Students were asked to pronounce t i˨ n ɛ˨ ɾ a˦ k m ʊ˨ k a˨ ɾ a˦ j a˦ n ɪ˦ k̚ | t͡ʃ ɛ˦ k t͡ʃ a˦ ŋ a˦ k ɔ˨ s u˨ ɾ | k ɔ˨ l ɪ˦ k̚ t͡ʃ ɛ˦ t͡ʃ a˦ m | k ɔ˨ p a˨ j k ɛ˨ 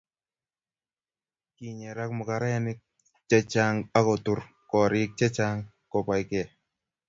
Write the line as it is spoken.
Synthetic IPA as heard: k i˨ ɲ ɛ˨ ɾ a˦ k m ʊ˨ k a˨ ɾ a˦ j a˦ n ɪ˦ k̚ | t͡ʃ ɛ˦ t͡ʃ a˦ ŋ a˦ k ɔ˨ t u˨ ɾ | k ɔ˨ ɾ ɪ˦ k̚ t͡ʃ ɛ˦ t͡ʃ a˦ ŋ | k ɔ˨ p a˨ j k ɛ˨

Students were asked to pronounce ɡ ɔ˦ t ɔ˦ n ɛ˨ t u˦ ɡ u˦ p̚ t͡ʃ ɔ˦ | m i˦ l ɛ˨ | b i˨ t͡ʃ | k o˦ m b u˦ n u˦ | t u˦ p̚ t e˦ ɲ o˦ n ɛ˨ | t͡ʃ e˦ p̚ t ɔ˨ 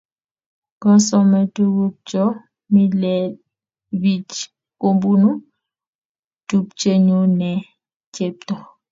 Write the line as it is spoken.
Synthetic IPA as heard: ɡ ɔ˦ s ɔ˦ m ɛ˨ t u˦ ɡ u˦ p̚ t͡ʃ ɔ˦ | m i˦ l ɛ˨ | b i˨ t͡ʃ | k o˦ m b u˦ n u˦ | t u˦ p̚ t͡ʃ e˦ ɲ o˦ n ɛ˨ | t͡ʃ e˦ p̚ t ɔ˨

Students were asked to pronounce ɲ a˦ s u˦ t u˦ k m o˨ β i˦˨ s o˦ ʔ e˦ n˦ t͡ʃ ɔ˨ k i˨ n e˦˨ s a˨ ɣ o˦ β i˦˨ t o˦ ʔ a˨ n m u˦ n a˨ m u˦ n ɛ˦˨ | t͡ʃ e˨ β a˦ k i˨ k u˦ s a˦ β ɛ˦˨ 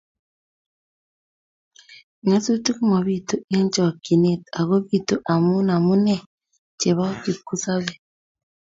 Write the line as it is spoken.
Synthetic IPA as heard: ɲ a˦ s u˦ t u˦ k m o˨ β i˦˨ t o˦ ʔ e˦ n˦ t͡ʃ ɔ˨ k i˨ n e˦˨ t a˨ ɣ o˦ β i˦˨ t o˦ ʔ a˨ m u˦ n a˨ m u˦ n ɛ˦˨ | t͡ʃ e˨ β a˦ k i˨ k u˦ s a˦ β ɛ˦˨

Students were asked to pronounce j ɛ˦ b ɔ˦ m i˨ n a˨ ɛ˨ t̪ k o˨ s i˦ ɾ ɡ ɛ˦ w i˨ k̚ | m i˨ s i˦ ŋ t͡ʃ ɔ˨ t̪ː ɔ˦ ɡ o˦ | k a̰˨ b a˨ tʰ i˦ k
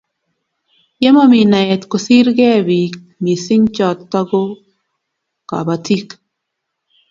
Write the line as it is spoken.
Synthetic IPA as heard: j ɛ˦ m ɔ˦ m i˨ n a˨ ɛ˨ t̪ k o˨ s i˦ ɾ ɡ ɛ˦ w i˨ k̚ | m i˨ s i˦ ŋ t͡ʃ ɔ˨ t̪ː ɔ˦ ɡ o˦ | k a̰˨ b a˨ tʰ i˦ k

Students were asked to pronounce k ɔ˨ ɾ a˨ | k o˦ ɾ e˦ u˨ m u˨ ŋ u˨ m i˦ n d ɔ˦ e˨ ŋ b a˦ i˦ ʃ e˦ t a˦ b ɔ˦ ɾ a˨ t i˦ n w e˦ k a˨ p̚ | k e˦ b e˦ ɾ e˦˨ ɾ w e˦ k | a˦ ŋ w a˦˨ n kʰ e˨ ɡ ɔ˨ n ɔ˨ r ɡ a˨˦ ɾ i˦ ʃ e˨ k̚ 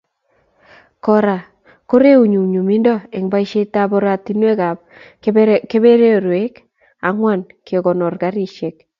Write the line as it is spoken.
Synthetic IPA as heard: k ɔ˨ ɾ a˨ | k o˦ ɾ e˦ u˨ ɲ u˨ ɲ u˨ m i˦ n d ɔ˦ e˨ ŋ b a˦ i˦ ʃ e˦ t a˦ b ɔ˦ ɾ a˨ t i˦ n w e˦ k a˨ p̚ | k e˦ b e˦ ɾ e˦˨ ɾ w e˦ k | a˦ ŋ w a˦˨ n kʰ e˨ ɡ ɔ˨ n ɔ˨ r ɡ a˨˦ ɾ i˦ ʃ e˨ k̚

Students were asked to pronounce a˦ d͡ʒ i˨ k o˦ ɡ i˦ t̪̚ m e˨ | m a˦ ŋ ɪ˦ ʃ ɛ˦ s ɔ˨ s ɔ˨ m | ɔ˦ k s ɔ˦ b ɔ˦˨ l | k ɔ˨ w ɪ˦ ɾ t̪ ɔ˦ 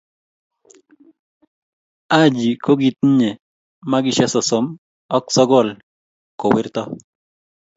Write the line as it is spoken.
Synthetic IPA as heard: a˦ d͡ʒ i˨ k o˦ ɡ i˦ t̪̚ ɲ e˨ | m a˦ ɡ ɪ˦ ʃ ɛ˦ s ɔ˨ s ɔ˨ m | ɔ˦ k s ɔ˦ ɡ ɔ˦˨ l | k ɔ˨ w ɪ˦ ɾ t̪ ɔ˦

